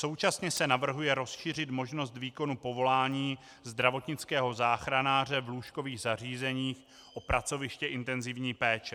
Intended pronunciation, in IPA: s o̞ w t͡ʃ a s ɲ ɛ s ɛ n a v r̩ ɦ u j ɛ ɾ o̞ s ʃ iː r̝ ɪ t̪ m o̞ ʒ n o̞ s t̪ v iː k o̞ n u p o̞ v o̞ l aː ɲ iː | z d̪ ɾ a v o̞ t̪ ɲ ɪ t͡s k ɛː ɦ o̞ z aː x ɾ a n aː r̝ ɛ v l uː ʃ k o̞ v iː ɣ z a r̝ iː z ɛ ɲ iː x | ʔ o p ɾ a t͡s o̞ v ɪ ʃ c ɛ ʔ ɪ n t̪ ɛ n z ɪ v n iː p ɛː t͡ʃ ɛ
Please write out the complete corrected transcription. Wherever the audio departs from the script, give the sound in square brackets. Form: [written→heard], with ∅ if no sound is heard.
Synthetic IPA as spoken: s o̞ w t͡ʃ a s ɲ ɛ s ɛ n a v r̩ ɦ u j ɛ ɾ o̞ s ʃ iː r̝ ɪ t̪ m o̞ ʒ n o̞ s t̪ v iː k o̞ n u p o̞ v o̞ l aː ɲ iː | z d̪ ɾ a v o̞ t̪ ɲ ɪ t͡s k ɛː ɦ o̞ z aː x ɾ a n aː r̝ ɛ v l uː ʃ k o̞ v iː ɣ z a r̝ iː z ɛ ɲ iː x | ʔ o p ɾ a t͡s o̞ v ɪ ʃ c ɛ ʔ ɪ n t̪ ɛ n z ɪ v [n→ɲ] iː p ɛː t͡ʃ ɛ